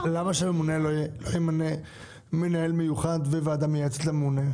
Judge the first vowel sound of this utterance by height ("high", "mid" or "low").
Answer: low